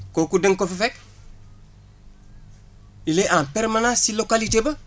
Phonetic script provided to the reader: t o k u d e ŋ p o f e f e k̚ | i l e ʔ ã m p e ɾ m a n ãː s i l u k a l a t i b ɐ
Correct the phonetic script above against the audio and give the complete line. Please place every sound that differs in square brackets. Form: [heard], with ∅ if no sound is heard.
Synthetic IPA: [k] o k u d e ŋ [k] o f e f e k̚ | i l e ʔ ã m p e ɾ m a n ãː s i l [o] k a l [i] t [e] b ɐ